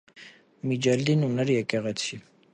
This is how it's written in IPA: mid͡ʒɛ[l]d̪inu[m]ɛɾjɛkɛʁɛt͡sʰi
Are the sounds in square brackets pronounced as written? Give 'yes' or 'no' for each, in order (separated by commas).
yes, no